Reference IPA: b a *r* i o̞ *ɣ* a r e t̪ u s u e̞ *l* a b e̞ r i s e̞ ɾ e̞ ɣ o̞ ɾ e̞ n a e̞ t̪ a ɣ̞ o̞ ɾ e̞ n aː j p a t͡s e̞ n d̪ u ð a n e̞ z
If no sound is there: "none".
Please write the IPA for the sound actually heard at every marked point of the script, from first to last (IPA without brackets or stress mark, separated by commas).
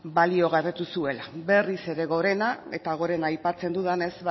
l, ɣ, l